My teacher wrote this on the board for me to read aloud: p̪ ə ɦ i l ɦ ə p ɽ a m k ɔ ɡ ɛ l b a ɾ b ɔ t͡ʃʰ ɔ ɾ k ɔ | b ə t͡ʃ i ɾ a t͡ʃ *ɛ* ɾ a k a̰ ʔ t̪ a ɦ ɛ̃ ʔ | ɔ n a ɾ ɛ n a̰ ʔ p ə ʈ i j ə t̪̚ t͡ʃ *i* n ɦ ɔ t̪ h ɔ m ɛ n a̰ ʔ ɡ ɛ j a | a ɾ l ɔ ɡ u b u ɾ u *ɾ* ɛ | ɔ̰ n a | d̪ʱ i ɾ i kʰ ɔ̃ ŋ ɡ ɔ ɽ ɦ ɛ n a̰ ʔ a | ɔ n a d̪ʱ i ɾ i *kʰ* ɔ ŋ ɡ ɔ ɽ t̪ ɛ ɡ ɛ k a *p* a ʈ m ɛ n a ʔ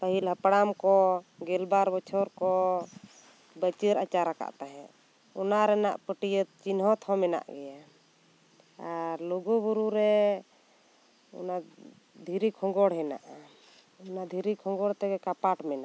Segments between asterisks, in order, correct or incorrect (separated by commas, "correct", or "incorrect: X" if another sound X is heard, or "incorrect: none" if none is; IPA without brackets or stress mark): incorrect: a, correct, correct, correct, correct